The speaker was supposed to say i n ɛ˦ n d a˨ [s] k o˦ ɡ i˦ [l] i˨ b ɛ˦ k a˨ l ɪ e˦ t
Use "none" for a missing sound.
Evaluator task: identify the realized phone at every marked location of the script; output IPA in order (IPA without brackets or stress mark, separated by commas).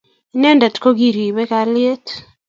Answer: t, ɾ